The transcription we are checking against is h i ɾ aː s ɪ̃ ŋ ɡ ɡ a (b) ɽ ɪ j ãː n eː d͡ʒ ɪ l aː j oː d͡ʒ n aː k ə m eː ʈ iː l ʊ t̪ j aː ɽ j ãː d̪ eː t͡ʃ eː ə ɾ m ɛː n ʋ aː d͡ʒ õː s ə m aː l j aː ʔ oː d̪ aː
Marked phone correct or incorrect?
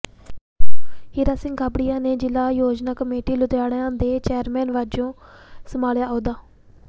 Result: correct